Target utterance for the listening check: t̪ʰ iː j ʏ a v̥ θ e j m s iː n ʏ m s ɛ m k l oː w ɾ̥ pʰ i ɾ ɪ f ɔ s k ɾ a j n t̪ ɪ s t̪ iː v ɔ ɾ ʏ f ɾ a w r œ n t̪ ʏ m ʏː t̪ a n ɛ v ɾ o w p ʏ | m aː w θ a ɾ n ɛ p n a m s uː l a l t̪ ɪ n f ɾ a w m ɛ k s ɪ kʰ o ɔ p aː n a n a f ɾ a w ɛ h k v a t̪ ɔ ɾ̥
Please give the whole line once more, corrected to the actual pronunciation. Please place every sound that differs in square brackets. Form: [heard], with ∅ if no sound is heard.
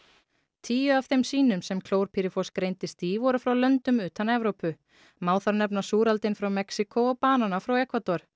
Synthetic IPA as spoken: t̪ʰ iː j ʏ a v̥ θ e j m s iː n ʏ m s ɛ m [kʰ] l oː w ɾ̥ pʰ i ɾ ɪ f ɔ s k ɾ [e] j n t̪ ɪ s t̪ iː v ɔ ɾ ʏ f ɾ a w [l] œ n t̪ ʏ m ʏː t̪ a n ɛ v ɾ o w p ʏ | m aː w θ a ɾ n ɛ p n a [∅] s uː [ɾ] a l t̪ ɪ n f ɾ a w m ɛ k s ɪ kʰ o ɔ p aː n a n a f ɾ a w ɛ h k v a t̪ ɔ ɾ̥